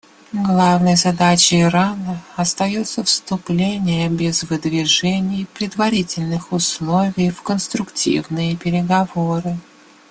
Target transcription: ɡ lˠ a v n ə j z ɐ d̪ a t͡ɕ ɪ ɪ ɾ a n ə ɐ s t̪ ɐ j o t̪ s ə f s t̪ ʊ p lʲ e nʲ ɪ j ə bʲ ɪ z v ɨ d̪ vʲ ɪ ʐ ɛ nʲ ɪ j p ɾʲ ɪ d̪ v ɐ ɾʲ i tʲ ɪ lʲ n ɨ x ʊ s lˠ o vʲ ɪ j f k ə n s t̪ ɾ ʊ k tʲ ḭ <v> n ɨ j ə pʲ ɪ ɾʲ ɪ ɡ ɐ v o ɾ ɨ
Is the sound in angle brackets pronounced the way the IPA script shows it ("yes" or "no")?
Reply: yes